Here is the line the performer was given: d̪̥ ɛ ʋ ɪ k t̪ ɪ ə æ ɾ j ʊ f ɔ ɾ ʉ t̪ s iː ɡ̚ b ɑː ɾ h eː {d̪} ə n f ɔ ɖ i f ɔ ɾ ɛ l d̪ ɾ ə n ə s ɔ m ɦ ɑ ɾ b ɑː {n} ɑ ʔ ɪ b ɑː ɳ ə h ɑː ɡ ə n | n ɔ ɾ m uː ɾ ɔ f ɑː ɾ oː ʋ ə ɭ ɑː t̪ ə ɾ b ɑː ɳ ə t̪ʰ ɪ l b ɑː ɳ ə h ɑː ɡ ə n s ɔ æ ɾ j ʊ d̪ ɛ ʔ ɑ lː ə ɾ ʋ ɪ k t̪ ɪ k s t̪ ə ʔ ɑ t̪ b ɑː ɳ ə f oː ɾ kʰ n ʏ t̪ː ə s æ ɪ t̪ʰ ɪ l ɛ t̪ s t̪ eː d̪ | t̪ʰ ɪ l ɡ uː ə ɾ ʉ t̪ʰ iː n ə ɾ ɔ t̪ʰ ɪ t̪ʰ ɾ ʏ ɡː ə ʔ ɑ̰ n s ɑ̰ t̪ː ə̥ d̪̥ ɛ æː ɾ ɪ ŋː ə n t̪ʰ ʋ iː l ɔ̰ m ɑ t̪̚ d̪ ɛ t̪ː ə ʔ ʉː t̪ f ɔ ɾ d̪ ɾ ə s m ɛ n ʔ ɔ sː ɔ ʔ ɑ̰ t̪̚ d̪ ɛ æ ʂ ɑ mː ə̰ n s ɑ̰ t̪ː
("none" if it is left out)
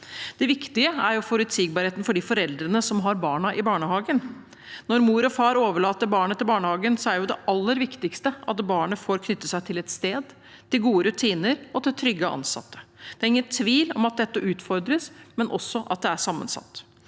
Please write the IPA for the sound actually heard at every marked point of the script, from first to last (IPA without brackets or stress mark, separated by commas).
t̪, ɳ